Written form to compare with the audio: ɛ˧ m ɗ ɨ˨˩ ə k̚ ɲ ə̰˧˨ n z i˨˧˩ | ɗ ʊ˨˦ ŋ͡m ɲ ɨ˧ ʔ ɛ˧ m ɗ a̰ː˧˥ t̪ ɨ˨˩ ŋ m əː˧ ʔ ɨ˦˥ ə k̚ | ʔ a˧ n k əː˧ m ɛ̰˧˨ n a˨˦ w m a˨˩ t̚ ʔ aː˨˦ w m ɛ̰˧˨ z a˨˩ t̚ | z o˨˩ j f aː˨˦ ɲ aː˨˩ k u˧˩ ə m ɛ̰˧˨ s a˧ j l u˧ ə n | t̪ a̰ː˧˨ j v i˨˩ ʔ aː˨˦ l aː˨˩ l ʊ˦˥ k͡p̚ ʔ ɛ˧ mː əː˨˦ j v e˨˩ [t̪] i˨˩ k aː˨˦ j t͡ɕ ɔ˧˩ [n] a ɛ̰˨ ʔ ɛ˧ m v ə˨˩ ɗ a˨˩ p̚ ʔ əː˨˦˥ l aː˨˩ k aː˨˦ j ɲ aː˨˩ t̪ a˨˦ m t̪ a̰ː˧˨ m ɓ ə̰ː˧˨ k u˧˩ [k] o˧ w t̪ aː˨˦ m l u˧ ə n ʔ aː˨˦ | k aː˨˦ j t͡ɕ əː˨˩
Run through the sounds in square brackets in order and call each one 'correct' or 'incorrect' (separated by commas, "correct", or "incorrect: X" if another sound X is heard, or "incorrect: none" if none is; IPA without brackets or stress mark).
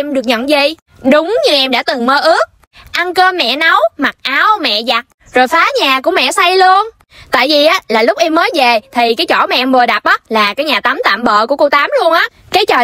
incorrect: t̪ʰ, incorrect: m, correct